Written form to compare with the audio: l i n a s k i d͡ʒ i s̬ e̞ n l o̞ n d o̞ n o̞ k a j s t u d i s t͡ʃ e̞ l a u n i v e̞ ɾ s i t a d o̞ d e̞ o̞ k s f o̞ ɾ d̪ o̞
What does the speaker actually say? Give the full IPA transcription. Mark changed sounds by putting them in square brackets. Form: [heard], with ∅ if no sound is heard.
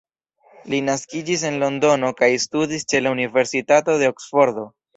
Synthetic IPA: l i n a s k i d͡ʒ i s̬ e̞ n l o̞ n d o̞ n o̞ k a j s t u d i s t͡ʃ e̞ l a u n i v e̞ ɾ s i t a [t] o̞ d e̞ o̞ k s f o̞ ɾ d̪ o̞